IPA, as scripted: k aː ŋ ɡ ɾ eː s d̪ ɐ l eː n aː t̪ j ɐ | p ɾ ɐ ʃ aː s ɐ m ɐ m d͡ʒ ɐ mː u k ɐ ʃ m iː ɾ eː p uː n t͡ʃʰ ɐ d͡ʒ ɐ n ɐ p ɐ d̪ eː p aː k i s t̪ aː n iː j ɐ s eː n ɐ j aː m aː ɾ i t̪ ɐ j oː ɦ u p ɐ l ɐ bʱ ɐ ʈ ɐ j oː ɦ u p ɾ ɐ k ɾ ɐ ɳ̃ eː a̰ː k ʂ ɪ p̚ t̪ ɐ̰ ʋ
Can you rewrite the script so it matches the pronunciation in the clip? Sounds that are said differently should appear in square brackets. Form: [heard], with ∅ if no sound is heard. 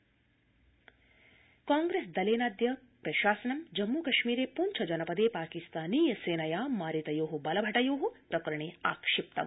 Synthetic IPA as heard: k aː ŋ ɡ ɾ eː s d̪ ɐ l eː n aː [d̪] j ɐ | p ɾ ɐ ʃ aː s ɐ [n] ɐ m d͡ʒ ɐ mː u k ɐ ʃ m iː ɾ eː p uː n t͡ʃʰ ɐ d͡ʒ ɐ n ɐ p ɐ d̪ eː p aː k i s t̪ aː n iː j ɐ s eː n ɐ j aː m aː ɾ i t̪ ɐ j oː ɦ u [b] ɐ l ɐ bʱ ɐ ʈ ɐ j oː ɦ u p ɾ ɐ k ɾ ɐ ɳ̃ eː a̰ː k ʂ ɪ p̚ t̪ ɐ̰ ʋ